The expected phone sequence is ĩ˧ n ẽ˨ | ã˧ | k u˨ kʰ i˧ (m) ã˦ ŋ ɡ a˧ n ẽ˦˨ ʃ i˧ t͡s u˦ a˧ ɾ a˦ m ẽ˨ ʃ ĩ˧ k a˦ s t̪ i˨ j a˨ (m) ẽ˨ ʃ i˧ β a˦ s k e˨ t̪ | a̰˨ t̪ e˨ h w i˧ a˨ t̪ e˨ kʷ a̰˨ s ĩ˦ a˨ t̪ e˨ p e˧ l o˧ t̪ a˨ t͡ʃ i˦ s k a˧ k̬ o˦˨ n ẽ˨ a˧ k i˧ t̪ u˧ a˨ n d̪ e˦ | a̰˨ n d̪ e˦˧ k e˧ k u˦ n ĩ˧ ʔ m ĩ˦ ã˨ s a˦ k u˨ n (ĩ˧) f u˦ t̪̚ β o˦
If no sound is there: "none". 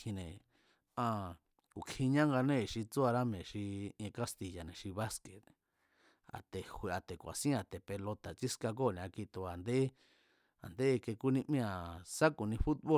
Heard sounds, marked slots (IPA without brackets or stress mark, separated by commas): ɲ, n, ĩ˧